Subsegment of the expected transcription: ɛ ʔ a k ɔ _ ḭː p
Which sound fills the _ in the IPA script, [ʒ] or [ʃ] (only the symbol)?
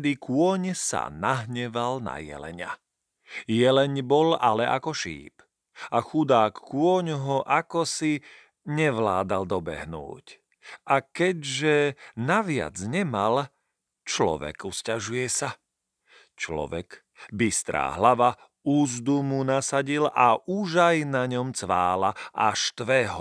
ʃ